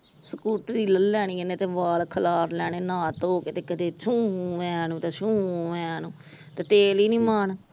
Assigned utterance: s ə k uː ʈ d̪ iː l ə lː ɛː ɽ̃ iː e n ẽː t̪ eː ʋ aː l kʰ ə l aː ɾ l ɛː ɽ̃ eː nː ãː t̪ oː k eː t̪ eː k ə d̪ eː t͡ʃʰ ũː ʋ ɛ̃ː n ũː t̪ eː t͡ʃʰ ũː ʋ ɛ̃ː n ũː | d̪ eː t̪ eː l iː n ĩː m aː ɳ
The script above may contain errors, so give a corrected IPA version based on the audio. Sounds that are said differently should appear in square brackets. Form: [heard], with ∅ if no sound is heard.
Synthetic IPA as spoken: s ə k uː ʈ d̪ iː l ə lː ɛː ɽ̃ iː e n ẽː t̪ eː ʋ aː l kʰ ə l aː ɾ l ɛː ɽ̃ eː [n] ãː t̪ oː k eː t̪ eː k ə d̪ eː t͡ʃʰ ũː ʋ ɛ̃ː n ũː t̪ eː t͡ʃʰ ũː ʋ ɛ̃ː n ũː | [t̪] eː t̪ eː l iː n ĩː m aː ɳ